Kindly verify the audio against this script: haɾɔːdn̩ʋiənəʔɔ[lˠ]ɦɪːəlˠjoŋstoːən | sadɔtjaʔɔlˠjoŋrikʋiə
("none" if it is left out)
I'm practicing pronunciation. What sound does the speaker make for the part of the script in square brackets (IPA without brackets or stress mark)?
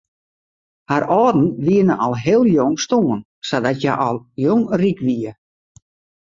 lˠ